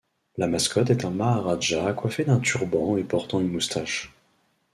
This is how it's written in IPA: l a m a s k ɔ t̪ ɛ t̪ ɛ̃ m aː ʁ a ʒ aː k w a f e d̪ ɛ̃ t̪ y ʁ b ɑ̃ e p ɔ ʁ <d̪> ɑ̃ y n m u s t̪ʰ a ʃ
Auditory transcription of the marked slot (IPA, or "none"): t̪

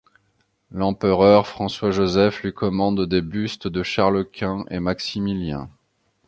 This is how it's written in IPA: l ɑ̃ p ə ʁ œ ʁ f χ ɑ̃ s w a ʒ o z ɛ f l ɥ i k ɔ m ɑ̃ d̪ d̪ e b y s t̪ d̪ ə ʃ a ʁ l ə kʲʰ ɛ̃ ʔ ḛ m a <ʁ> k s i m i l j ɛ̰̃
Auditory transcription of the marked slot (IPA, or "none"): none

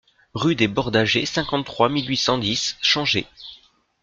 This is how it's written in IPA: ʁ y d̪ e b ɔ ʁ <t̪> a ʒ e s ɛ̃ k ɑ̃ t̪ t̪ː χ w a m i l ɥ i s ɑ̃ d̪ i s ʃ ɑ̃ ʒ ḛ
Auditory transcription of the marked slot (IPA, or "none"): d̪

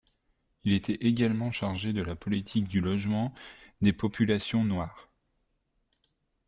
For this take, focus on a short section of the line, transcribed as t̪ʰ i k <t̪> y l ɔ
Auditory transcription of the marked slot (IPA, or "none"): d̪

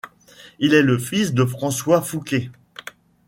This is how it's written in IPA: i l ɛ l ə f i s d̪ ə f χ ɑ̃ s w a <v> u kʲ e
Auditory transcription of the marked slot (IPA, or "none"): f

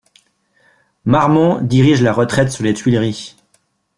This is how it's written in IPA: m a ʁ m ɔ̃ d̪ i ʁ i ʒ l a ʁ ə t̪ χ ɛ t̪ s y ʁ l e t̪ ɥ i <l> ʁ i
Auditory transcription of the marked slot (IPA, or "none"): l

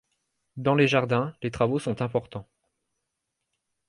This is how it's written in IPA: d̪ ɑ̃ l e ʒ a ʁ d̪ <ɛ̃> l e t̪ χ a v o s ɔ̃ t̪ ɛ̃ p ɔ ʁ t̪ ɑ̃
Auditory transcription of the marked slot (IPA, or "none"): ɛ̃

